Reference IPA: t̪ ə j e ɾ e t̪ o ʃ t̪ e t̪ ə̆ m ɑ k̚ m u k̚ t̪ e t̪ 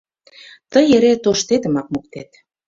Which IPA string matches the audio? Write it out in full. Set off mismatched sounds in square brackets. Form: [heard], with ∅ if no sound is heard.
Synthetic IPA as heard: t̪ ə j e ɾ e t̪ o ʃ t̪ e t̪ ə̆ m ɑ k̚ m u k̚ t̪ e t̪